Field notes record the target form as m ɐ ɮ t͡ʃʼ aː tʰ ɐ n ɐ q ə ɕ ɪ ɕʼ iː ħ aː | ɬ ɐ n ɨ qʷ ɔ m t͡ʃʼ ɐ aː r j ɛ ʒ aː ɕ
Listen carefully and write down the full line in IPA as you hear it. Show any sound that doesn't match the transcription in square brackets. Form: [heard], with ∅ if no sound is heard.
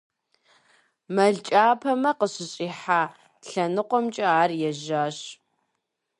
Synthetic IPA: m ɐ ɮ t͡ʃʼ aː [pʰ] ɐ [m] ɐ q ə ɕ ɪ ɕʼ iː ħ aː | ɬ ɐ n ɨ qʷ ɔ m t͡ʃʼ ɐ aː r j ɛ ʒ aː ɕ